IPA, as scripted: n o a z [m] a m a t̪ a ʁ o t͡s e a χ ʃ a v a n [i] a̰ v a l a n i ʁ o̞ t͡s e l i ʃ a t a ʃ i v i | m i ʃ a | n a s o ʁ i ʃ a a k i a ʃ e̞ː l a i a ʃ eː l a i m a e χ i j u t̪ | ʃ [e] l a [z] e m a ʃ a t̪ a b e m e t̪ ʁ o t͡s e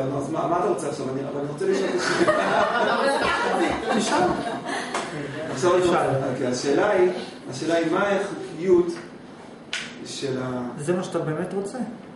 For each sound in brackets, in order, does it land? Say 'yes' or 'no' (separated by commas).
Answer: yes, yes, yes, yes